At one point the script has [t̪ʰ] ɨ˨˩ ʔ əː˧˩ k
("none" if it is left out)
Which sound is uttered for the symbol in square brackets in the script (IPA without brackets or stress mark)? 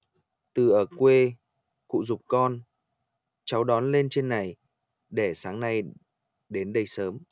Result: t̪